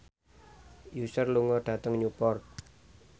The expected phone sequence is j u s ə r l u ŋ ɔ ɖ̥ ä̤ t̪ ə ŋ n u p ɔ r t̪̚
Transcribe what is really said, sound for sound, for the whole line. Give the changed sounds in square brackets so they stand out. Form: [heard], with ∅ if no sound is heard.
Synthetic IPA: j u s ə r l u ŋ ɔ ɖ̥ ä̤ t̪ ə ŋ [ɲ] u p ɔ r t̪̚